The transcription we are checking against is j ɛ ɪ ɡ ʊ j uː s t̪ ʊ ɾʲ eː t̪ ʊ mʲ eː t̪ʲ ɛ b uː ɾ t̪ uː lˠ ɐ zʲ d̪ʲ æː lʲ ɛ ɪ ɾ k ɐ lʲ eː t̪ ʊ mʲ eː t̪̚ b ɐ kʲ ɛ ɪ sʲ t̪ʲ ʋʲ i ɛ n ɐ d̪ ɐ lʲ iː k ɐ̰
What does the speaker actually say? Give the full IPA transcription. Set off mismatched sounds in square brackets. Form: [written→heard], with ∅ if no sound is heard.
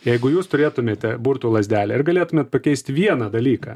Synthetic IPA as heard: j ɛ ɪ ɡ ʊ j uː s t̪ ʊ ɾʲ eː t̪ ʊ mʲ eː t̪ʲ ɛ b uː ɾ t̪ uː lˠ ɐ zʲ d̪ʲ æː lʲ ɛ ɪ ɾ [k→ɡ] ɐ lʲ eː t̪ ʊ mʲ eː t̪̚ [b→p] ɐ kʲ ɛ ɪ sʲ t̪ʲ ʋʲ i ɛ n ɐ d̪ ɐ lʲ iː k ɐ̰